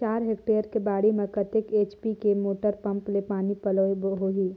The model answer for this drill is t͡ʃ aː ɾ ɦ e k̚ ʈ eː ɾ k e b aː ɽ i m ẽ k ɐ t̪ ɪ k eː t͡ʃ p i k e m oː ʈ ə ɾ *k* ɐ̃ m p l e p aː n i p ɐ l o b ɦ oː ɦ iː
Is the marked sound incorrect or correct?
incorrect